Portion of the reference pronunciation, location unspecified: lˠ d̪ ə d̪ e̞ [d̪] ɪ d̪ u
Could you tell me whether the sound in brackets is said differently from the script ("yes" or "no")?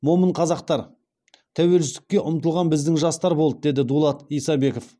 no